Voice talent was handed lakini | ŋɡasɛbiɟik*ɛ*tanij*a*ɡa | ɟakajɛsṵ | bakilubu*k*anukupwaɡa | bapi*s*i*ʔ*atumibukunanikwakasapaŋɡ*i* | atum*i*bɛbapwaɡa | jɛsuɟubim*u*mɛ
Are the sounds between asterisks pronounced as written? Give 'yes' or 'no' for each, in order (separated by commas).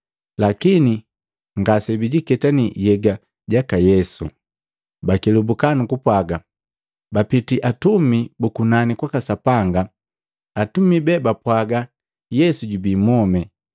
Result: yes, no, yes, no, yes, no, yes, no